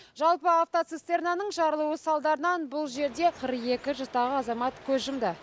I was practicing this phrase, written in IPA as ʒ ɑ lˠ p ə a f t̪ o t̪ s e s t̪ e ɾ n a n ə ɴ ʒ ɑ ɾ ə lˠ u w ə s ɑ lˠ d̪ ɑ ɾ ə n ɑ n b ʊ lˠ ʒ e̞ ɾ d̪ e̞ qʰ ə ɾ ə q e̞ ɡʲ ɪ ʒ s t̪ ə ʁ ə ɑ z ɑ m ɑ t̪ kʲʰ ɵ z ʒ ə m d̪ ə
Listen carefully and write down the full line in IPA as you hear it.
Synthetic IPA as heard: ʒ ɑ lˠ p ə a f t̪ o t̪ s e s t̪ e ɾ n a n ə ɴ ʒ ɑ ɾ ə lˠ u w ə s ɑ lˠ d̪ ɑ ɾ ə n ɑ n b ʊ lˠ ʒ e̞ ɾ d̪ e̞ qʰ ə ɾ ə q e̞ kʲ ɪ ʒ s t̪ ɑ ʁ ə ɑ z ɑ m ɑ t̪ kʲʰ ɵ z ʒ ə m d̪ ə